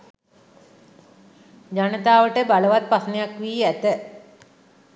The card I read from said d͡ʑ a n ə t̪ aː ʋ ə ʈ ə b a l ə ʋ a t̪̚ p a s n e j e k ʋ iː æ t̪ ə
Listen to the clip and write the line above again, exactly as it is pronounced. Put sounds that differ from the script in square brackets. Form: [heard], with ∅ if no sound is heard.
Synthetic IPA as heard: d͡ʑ a n ə t̪ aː ʋ ə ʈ ə b a l ə ʋ a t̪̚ p a s n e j [a] k ʋ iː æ t̪ ə